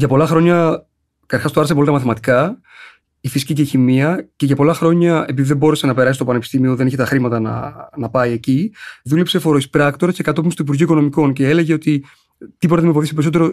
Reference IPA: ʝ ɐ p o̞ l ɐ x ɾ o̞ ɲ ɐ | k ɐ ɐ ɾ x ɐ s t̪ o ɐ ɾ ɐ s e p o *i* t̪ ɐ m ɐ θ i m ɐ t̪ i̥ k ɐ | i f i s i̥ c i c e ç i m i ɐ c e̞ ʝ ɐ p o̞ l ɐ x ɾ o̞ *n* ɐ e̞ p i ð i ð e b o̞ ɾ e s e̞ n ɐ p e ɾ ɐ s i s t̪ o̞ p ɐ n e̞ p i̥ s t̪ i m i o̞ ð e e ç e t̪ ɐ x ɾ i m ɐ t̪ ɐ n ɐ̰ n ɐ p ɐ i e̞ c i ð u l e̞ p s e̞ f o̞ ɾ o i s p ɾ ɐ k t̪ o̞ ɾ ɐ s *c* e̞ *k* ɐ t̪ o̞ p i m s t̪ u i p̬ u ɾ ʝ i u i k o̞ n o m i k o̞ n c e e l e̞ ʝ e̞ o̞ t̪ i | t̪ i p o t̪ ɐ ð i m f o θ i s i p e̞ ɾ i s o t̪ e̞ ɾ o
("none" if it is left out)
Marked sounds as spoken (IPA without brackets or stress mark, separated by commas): i, ɲ, c, k